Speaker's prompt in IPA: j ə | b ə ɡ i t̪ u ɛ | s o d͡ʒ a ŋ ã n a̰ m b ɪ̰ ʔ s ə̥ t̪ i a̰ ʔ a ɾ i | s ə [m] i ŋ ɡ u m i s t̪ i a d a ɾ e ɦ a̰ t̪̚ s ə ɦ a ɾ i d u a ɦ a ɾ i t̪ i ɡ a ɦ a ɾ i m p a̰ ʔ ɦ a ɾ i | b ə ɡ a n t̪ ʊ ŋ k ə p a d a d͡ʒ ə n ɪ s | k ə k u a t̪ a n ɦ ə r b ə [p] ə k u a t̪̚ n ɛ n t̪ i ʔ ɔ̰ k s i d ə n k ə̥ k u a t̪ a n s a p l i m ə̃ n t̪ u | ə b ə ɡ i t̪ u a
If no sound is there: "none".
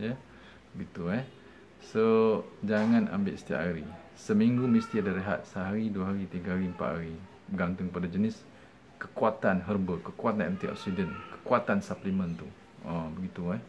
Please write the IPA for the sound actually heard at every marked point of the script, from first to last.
m, k

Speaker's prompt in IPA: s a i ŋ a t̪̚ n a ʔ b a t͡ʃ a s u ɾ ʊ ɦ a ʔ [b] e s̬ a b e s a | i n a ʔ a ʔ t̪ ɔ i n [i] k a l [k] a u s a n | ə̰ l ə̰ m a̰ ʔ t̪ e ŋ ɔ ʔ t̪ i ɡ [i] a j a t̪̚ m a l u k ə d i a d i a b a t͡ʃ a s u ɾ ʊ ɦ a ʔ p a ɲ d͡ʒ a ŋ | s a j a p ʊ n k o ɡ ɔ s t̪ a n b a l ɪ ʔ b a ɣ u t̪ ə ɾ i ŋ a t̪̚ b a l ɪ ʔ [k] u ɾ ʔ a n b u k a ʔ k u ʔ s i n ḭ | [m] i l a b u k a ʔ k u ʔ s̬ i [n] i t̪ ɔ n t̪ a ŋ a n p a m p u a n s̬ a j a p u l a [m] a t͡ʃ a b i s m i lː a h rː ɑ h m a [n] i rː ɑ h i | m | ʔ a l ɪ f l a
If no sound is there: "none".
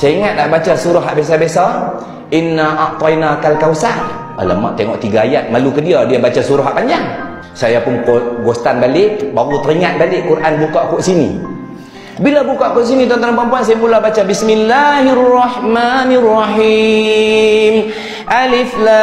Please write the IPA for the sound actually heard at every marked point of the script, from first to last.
b, a, k, a, k, b, n, b, n

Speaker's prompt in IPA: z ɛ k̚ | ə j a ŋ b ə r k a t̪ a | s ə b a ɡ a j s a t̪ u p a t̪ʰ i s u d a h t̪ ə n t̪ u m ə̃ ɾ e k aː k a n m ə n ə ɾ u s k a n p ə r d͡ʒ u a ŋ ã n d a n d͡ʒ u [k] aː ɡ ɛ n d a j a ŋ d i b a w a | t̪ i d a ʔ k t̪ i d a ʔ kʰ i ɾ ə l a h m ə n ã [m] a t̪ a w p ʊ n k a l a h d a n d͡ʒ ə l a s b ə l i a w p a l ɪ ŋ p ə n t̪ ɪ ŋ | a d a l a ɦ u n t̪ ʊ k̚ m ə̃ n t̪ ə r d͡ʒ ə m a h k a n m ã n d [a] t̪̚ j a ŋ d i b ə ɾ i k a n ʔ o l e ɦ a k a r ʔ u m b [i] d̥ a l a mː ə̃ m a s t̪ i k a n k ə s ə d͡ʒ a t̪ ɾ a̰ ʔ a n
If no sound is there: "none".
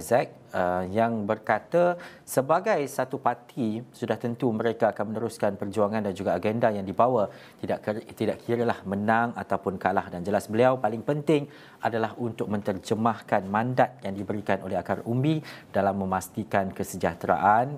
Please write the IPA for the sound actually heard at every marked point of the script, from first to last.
ɡ, ŋ, a, i

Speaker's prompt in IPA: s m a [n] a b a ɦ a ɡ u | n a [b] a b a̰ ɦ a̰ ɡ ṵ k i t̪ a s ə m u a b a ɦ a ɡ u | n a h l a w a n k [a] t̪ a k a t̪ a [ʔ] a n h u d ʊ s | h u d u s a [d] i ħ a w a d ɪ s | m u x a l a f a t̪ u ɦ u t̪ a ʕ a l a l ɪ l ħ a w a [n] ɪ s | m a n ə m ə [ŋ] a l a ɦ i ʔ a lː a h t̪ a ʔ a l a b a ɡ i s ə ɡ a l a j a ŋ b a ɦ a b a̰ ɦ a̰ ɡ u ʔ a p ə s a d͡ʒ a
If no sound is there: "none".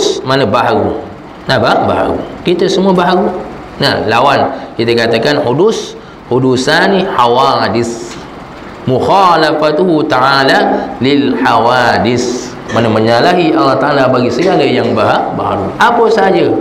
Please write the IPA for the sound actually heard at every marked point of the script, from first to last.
n, b, i, k, n, d, ɲ

